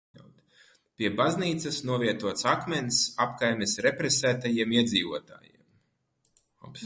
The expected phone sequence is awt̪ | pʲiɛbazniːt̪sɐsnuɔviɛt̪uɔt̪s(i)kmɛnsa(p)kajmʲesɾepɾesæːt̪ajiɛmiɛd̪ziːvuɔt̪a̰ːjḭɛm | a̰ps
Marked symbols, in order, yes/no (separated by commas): no, yes